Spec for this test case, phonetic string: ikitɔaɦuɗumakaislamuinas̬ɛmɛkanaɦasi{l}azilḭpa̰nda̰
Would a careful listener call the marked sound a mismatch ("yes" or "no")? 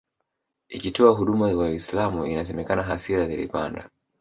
yes